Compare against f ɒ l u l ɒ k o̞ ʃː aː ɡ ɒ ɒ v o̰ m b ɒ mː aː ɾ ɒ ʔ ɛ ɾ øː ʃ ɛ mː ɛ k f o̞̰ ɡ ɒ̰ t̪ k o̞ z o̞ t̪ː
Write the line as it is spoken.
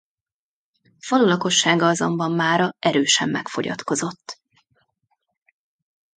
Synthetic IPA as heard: f ɒ l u l ɒ k o̞ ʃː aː ɡ ɒ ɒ z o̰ m b ɒ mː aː ɾ ɒ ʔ ɛ ɾ øː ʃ ɛ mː ɛ k f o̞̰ ɟ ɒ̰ t̪ k o̞ z o̞ t̪ː